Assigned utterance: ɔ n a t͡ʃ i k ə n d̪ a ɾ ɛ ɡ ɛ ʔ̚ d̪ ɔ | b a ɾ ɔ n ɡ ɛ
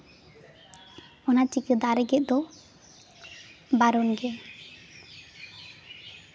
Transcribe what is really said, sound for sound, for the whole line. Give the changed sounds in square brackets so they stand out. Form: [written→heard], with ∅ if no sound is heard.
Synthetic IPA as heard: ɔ n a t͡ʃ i k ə [n→∅] d̪ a ɾ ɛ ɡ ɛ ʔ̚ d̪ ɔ | b a ɾ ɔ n ɡ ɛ